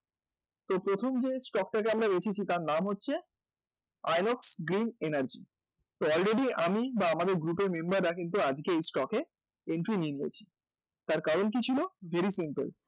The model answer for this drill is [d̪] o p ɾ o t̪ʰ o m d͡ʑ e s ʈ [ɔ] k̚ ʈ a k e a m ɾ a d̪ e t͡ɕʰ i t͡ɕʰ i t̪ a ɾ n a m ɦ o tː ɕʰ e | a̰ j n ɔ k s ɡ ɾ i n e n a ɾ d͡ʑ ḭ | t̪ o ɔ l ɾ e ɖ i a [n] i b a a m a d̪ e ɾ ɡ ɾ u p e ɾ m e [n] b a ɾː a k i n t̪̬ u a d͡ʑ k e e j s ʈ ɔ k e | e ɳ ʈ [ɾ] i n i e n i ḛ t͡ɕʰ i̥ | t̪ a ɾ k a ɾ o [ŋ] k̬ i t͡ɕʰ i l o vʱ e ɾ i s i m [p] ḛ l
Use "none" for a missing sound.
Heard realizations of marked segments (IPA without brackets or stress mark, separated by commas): t̪, ɔ, m, m, ɾ, n, p